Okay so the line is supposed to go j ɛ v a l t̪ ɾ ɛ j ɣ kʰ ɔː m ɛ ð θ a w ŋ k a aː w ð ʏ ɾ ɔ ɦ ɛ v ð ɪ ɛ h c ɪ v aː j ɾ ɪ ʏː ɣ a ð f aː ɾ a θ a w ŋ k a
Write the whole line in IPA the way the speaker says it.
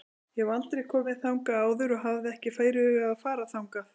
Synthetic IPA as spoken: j ɛ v a l t̪ ɾ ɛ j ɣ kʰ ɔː m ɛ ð θ a w ŋ k a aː w ð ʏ ɾ ɔ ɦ a v ð ɪ ɛ h c ɪ f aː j ɾ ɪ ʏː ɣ a ð f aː ɾ a θ a w ŋ k a